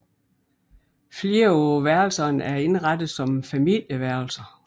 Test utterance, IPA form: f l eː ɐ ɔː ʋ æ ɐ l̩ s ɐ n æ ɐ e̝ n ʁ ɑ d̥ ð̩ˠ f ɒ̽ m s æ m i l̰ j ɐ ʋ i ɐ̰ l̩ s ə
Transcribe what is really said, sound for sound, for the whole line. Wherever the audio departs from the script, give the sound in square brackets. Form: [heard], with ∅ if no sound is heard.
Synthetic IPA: f l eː ɐ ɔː ʋ æ ɐ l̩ s ɐ n æ ɐ e̝ n ʁ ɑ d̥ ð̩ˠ [s] ɒ̽ m [f] æ m i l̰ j [ə] ʋ [æ] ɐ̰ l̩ s [ɐ]